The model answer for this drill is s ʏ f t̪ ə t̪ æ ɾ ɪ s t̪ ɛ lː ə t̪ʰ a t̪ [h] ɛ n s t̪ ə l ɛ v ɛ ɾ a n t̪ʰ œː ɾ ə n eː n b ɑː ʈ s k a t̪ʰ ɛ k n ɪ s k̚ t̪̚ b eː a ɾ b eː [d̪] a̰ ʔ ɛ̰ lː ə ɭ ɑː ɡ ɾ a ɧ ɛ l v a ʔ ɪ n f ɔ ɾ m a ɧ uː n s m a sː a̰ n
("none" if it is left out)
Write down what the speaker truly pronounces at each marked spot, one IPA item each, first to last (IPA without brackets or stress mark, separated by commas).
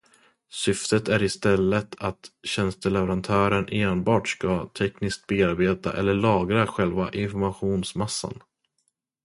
ɕ, t̪